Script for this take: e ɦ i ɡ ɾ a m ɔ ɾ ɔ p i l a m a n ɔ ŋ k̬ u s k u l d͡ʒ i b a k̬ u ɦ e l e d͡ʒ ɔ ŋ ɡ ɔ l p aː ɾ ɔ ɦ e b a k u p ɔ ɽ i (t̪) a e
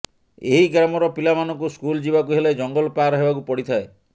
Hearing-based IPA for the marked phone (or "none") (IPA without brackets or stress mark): t̪ʰ